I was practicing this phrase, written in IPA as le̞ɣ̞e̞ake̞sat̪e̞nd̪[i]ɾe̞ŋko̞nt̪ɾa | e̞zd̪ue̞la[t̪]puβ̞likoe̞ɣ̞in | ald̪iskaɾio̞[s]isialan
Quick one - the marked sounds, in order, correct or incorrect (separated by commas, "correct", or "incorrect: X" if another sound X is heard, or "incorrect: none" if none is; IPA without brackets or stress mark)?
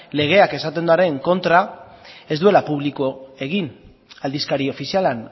incorrect: a, incorrect: none, incorrect: f